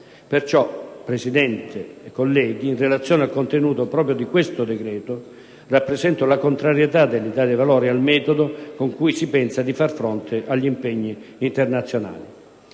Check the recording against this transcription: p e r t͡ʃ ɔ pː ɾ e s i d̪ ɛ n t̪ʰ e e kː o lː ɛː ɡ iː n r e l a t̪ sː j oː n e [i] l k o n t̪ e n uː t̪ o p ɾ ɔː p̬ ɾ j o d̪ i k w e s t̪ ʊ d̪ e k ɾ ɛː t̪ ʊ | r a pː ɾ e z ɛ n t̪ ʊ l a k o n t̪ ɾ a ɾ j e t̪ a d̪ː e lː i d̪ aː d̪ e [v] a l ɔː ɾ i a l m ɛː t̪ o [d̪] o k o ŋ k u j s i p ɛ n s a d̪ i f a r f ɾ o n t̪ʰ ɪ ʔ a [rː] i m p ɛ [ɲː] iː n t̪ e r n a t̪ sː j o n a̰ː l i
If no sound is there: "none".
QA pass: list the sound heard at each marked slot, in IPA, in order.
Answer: a, v, d̪, ʎː, ɲː

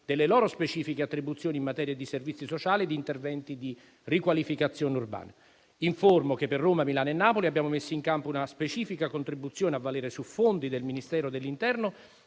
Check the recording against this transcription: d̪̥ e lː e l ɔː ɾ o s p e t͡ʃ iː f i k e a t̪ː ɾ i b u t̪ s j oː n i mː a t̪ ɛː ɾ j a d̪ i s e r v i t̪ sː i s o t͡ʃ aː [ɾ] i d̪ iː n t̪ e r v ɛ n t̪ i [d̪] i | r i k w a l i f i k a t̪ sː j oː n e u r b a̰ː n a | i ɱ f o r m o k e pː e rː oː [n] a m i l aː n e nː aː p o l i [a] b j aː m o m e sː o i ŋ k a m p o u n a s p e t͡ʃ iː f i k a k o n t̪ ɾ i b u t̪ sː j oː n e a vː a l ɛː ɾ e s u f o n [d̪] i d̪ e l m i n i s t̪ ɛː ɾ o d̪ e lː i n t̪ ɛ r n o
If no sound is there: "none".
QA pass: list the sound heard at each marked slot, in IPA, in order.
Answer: l, d̪, m, a, d̪

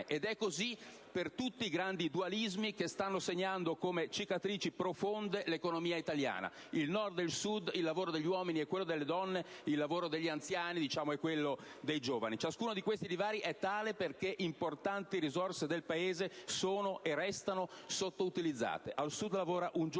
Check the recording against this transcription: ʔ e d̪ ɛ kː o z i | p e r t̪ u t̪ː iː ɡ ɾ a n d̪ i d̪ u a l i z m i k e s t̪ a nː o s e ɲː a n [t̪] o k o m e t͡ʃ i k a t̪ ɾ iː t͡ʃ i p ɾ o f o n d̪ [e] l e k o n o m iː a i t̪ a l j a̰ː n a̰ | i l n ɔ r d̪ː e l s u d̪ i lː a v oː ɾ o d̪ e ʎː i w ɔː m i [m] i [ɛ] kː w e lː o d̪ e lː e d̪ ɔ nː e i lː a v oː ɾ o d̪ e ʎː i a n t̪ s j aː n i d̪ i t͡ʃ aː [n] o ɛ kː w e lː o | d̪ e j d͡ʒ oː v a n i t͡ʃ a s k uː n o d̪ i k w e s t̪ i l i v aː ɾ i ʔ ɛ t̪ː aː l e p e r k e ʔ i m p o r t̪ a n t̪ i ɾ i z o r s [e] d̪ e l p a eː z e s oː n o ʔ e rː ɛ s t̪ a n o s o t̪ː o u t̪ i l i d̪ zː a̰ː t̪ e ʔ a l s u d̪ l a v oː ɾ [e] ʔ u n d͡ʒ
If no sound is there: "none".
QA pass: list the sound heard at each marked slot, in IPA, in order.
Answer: d̪, e, n, ɛ, m, e, a

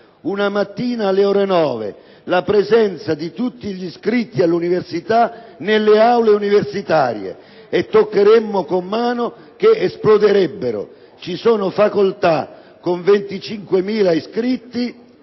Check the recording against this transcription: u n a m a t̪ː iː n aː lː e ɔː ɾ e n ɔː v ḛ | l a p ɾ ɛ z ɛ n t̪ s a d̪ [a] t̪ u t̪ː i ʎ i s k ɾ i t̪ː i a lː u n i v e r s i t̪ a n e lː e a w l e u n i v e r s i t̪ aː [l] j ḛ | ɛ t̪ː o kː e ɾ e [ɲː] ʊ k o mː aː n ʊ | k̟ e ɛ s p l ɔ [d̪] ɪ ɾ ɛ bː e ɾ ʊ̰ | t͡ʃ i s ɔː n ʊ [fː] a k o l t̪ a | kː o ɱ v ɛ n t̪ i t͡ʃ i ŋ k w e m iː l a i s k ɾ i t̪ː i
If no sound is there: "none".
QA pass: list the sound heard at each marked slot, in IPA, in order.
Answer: i, ɾ, mː, d̪, f

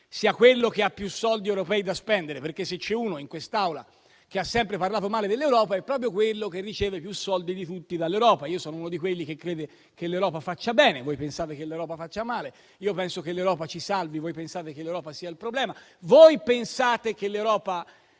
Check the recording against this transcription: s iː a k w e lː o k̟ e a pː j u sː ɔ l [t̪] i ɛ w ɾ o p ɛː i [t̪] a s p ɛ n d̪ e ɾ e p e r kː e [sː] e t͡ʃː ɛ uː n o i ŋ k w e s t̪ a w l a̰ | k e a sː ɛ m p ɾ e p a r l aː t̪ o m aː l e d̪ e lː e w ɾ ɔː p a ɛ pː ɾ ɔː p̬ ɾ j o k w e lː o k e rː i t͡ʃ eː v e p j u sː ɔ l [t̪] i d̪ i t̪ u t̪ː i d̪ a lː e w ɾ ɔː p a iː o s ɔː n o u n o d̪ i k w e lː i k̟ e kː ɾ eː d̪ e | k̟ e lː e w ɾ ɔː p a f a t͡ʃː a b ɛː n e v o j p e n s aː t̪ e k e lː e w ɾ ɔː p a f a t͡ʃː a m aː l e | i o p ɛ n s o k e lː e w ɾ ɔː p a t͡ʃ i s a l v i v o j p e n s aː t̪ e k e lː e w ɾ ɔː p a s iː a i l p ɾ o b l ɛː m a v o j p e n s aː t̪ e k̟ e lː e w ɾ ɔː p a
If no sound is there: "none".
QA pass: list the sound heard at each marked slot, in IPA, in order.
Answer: d̪, d̪, sː, d̪

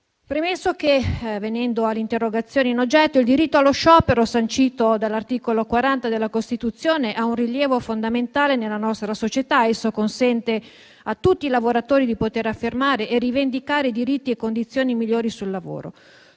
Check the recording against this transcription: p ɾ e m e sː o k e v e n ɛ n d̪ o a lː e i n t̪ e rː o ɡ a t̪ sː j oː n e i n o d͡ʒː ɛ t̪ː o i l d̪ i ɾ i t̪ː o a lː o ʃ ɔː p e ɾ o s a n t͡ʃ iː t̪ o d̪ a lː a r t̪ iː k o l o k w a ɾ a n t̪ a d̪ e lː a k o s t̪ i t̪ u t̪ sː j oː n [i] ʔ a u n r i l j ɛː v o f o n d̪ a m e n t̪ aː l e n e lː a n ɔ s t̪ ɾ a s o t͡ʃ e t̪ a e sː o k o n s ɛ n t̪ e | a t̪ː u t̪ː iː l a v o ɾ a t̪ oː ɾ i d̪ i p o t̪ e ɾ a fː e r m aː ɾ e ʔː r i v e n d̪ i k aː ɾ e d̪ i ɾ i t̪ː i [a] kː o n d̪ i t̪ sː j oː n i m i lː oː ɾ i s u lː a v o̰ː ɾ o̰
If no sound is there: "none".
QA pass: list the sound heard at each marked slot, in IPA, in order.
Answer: e, e

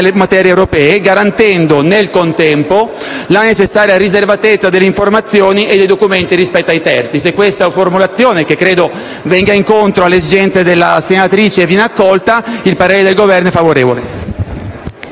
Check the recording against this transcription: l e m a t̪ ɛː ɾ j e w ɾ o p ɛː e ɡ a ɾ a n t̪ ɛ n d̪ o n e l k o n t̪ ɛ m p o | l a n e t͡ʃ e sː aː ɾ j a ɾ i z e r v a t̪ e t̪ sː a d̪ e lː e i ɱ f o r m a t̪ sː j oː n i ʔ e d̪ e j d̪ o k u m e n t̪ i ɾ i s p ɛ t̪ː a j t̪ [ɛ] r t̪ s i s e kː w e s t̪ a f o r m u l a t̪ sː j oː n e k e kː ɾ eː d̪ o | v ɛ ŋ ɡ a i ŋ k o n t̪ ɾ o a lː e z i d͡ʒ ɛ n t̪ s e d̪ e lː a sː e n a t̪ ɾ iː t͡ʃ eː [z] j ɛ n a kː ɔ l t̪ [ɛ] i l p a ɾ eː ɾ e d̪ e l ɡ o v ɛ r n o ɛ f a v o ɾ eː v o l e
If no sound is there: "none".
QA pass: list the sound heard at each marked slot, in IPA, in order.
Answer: ɛ, v, a

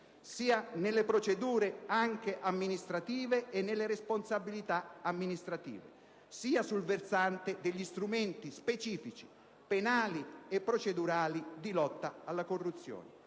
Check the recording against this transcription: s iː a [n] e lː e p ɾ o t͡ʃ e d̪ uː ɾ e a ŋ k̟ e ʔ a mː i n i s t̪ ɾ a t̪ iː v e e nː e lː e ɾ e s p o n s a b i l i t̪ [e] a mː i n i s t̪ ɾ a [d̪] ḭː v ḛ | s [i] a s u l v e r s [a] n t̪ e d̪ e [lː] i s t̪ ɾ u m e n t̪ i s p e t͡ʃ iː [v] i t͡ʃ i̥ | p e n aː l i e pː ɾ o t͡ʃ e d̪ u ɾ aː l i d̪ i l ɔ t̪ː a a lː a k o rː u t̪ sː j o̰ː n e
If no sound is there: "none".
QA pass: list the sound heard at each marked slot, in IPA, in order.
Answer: n, a, t̪, iː, a, ʎː, f

